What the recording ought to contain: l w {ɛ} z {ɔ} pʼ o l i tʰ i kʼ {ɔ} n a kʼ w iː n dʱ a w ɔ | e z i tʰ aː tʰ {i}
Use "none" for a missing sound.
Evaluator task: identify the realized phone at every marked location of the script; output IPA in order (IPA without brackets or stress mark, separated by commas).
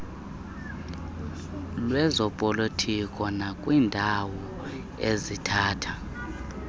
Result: ɛ, ɔ, ɔ, a